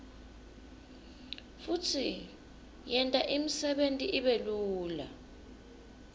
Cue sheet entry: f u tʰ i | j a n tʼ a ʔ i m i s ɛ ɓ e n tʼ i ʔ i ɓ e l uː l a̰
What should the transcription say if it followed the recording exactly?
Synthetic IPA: f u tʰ i | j ɛ n tʼ a ʔ i m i s ɛ ɓ e n tʼ i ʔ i ɓ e l uː l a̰